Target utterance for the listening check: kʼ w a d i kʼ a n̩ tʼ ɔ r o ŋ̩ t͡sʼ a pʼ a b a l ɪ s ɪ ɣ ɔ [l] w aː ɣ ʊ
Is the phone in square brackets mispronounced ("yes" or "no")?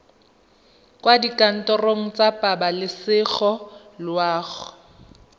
no